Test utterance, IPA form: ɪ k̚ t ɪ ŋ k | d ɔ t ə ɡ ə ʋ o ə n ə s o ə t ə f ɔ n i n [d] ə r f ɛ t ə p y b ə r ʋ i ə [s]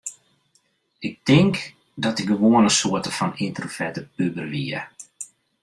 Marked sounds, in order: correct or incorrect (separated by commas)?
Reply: incorrect, incorrect